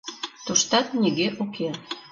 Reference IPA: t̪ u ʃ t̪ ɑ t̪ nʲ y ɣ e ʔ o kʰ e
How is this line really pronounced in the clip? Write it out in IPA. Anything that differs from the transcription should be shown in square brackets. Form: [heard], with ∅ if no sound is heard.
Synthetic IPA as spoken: t̪ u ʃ t̪ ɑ t̪ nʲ [i] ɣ e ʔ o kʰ e